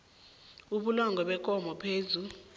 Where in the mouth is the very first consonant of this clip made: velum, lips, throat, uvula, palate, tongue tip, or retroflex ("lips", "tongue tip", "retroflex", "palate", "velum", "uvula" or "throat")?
lips